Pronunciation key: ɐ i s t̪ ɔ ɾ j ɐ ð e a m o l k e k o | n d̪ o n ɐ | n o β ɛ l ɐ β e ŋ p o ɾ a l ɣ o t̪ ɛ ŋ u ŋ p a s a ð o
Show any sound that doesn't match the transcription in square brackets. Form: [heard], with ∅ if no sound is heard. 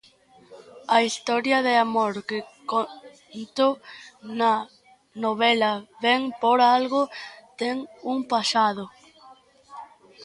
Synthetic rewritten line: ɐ i s t̪ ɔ ɾ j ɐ ð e a m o [ɾ] k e k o | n [t̪] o n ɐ | n o β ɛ l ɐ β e ŋ p o ɾ a l ɣ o t̪ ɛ ŋ u ŋ p a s a ð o

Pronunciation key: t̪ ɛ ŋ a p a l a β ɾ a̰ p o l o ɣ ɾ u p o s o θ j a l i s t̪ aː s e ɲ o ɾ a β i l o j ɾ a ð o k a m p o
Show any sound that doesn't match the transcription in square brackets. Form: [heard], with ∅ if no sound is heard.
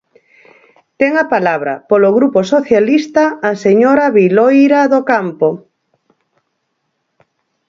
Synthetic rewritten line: t̪ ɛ ŋ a p a l a β ɾ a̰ p o l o ɣ ɾ u p o s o θ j a l i s t̪ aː s e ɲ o ɾ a β i l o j ɾ a ð o k a m p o

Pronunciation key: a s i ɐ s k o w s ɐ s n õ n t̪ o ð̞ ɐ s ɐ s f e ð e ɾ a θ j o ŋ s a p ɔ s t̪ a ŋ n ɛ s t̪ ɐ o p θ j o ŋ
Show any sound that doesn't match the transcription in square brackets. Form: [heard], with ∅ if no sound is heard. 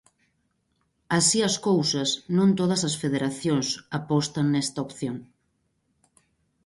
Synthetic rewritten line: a s i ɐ s k o w s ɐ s n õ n t̪ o ð̞ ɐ s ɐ s f e ð e ɾ a θ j o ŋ s a p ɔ s t̪ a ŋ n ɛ s t̪ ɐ o p θ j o ŋ

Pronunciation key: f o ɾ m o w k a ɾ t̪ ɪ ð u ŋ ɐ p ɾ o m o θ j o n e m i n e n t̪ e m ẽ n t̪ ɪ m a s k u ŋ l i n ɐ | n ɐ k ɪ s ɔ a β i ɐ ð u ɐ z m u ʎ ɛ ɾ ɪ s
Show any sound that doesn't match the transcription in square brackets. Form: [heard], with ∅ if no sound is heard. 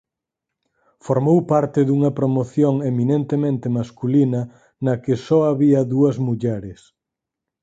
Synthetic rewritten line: f o ɾ m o w [p] a ɾ t̪ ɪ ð u ŋ ɐ p ɾ o m o θ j o [ŋ] e m i n e n t̪ e m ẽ n t̪ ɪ m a s k u [∅] l i n ɐ | n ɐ k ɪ s ɔ a β i ɐ ð u ɐ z m u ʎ ɛ ɾ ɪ s

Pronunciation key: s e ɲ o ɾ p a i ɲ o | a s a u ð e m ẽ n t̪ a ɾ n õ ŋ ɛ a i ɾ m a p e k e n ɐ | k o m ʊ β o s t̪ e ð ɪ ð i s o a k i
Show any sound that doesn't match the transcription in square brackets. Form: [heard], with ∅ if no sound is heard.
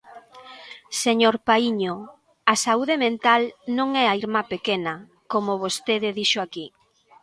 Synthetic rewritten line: s e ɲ o ɾ p a i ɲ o | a s a u ð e m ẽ n t̪ a [l] n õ ŋ ɛ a i ɾ m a p e k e n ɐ | k o m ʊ β o s t̪ e ð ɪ ð i [ʃ] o a k i

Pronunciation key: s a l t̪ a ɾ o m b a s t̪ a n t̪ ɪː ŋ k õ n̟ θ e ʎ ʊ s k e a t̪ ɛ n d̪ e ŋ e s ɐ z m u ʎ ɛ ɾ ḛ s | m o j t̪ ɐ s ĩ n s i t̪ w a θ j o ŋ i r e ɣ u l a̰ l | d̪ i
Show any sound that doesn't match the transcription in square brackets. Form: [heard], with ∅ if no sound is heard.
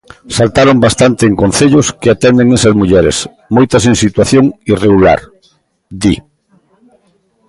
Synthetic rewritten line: s a l t̪ a ɾ o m b a s t̪ a n t̪ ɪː ŋ k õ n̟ θ e ʎ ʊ s k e a t̪ ɛ n d̪ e ŋ e s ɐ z m u ʎ ɛ ɾ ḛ s | m o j t̪ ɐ s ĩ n s i t̪ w a θ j o ŋ i r e ɣ u l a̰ [ɾ] | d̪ i

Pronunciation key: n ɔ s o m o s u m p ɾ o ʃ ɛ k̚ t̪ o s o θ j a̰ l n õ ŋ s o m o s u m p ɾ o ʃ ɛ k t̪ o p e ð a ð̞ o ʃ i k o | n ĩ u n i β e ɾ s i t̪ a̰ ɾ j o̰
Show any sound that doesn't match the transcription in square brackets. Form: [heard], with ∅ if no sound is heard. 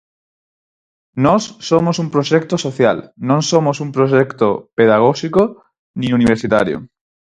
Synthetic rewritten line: n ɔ [sː] o m o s u m p ɾ o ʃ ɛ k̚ t̪ o s o θ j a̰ l n õ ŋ s o m o s u m p ɾ o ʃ ɛ k t̪ o p e ð a [ɣ̞] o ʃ i k o | n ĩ u n i β e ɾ s i t̪ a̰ ɾ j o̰

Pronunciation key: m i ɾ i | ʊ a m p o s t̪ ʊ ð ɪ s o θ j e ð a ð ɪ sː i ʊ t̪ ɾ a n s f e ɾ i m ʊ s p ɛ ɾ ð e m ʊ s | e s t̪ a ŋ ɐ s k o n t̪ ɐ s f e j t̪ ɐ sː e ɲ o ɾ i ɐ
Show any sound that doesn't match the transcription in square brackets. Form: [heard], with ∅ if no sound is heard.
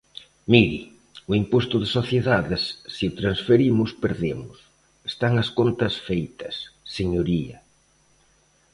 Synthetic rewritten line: m i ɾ i | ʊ [i] m p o s t̪ ʊ ð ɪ s o θ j e ð a ð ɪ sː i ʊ t̪ ɾ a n s f e ɾ i m ʊ s p [e] ɾ ð e m ʊ s | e s t̪ a ŋ ɐ s k o n t̪ ɐ s f e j t̪ ɐ sː e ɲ o ɾ i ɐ

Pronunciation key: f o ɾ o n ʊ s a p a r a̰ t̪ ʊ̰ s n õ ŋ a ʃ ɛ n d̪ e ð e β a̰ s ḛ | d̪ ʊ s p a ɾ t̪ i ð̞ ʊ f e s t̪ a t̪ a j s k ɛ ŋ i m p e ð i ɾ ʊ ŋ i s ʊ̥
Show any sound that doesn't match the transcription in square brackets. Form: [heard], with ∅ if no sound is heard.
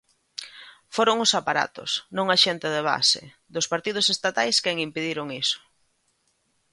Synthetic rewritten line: f o ɾ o [ŋ] ʊ s a p a [ɾ] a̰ t̪ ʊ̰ s n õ ŋ a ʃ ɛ n [t̪] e ð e β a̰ s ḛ | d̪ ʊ s p a ɾ t̪ i ð̞ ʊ [s] e s t̪ a t̪ a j s k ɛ ŋ i m p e ð i ɾ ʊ ŋ i s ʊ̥

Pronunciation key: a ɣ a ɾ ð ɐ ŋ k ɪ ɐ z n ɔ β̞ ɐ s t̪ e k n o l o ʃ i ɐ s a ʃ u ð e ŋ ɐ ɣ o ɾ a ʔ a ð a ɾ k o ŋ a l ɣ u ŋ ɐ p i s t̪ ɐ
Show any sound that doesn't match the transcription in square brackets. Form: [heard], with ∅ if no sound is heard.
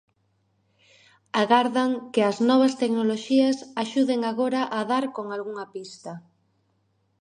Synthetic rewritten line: a ɣ a ɾ ð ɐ ŋ k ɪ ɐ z n ɔ β̞ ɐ s t̪ e k n o l o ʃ i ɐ s a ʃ u ð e ŋ [a] ɣ o ɾ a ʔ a ð a ɾ k o ŋ a l ɣ u ŋ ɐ p i s t̪ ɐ

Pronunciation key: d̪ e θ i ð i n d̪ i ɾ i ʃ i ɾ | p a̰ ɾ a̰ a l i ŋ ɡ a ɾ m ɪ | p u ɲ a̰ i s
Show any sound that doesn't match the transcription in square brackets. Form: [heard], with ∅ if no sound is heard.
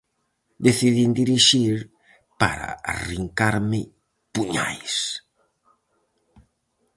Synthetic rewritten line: d̪ e θ i ð i n d̪ i ɾ i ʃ i ɾ | p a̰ ɾ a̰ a [r] i ŋ [k] a ɾ m ɪ | p u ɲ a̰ [j] s

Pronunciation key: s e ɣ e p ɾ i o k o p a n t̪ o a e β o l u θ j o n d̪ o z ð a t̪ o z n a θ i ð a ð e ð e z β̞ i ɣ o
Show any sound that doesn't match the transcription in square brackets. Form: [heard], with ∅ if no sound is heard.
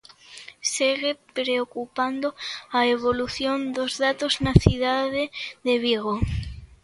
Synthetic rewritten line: s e ɣ e p ɾ [e] o k [u] p a n [d̪] o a e β o l u θ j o n d̪ o z ð a t̪ o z n a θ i ð a ð e ð e [∅] β̞ i ɣ o

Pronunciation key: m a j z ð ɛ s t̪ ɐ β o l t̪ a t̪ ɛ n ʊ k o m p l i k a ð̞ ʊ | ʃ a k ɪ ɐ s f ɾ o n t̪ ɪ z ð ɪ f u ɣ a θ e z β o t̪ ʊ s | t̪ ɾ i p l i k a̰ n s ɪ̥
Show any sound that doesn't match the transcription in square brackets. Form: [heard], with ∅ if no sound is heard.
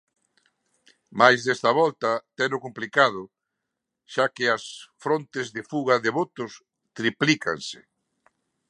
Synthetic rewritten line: m a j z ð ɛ s t̪ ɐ β [ɔ] l t̪ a t̪ ɛ n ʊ k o m p l i k a ð̞ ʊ | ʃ a k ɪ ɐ s f ɾ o n t̪ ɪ z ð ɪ f u ɣ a [ð] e [∅] β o t̪ ʊ s | t̪ ɾ i p l i k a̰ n s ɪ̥

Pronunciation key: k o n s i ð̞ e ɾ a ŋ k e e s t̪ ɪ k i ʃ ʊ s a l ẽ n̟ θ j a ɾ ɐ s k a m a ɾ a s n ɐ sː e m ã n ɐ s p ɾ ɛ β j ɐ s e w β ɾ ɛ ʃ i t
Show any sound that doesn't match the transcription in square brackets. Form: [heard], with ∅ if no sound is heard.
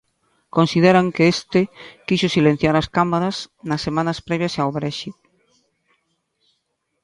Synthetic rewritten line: k o n s i ð̞ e ɾ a ŋ k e e s t̪ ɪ k i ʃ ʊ s [i] l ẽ n̟ θ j a ɾ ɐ s k a m a ɾ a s n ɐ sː e m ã n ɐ s p ɾ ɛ β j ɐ s [a] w β ɾ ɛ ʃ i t

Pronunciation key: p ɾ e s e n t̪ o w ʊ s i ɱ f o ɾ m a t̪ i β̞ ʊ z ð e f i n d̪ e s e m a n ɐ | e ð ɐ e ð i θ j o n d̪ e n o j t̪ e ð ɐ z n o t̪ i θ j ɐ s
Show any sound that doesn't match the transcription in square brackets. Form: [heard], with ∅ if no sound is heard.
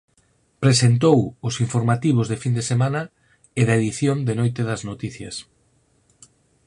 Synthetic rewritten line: p ɾ e s e n t̪ o w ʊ s i ɱ f o ɾ m a t̪ i β̞ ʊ z ð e f i n d̪ e s e m a n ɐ | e ð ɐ e ð i θ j o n d̪ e n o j t̪ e ð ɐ z n o t̪ i θ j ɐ s

